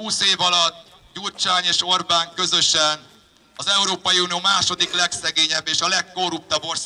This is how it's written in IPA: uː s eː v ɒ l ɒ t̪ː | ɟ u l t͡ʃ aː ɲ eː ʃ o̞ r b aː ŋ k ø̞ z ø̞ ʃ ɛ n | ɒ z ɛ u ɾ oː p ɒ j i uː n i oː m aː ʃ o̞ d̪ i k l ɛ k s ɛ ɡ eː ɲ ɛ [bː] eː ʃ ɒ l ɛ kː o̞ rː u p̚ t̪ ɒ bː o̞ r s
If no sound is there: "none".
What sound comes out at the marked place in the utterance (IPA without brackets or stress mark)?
bː